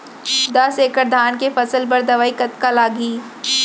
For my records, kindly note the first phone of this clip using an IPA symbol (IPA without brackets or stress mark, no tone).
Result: d̪